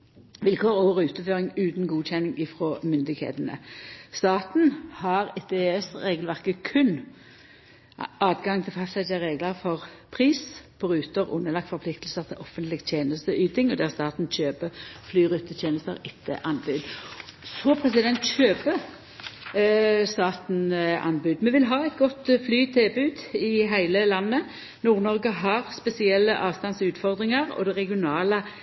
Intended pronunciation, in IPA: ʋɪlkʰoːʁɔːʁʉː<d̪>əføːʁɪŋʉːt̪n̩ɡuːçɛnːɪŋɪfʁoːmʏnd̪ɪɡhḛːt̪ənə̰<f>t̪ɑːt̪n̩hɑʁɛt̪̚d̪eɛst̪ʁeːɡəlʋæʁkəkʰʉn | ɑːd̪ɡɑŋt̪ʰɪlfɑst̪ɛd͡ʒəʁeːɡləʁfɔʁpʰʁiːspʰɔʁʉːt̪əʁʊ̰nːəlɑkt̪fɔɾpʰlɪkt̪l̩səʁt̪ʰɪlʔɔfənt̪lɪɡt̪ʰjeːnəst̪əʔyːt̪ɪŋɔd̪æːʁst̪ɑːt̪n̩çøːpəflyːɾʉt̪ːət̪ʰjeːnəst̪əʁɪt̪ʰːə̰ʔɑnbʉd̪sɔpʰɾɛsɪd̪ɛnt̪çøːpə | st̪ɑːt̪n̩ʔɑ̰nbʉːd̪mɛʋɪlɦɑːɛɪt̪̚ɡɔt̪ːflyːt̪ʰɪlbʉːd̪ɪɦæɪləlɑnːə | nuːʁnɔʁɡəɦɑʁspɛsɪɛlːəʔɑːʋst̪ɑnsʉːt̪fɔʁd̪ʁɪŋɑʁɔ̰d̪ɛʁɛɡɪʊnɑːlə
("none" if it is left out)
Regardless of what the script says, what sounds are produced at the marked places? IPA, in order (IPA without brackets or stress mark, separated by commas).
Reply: t̪, s